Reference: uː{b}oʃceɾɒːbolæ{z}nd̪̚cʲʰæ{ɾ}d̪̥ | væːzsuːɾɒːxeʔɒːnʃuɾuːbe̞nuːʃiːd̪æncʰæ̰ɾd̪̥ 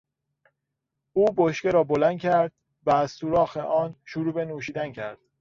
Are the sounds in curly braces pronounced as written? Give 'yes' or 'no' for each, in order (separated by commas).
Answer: yes, no, yes